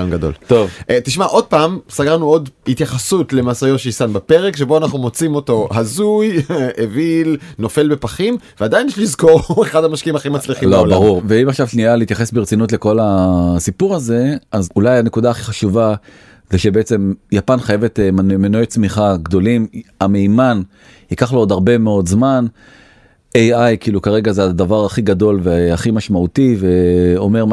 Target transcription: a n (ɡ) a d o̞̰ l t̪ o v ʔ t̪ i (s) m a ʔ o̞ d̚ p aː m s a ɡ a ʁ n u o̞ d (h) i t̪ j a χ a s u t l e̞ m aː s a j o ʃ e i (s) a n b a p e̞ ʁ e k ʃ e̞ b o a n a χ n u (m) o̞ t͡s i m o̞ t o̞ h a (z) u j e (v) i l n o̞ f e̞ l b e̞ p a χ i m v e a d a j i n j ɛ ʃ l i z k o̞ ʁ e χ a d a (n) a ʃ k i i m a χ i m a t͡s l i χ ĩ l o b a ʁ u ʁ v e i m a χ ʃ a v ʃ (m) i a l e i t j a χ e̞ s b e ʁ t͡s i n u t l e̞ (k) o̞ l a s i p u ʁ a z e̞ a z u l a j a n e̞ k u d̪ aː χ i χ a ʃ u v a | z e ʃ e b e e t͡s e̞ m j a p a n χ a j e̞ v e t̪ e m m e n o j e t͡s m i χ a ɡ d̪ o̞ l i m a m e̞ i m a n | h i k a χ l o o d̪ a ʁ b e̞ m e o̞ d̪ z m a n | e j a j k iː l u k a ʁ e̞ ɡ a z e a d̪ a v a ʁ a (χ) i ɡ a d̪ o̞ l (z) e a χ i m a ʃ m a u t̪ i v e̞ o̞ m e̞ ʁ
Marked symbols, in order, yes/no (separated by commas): yes, no, yes, yes, yes, yes, yes, no, no, yes, yes, no